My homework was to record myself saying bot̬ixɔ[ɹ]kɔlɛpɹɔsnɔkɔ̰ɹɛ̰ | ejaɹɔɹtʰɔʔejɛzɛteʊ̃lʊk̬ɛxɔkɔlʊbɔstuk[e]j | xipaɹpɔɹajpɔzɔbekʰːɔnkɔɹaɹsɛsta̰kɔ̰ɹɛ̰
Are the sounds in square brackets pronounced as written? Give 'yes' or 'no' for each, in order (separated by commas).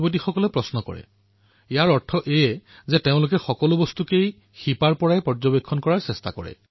no, yes